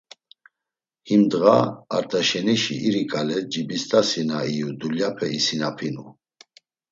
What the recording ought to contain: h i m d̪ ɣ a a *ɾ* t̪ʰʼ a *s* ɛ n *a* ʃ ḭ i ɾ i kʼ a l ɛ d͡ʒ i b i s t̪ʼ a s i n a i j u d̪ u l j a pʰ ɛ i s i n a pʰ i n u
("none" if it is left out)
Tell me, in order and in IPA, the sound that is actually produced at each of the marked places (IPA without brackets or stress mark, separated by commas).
ɾ, ʃ, i